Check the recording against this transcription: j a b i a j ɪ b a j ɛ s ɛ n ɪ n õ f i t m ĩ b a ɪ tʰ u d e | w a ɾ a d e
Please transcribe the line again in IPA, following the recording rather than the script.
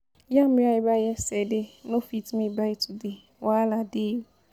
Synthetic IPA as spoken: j a m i a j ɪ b a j ɛ s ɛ d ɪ n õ f i t m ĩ b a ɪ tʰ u d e | w a l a d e